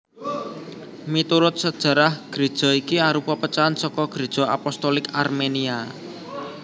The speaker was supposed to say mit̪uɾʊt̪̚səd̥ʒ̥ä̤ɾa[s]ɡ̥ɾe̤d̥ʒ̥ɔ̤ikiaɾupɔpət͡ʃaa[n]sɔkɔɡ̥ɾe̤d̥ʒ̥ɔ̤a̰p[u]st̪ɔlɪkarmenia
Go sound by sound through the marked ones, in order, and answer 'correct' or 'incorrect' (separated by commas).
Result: incorrect, correct, incorrect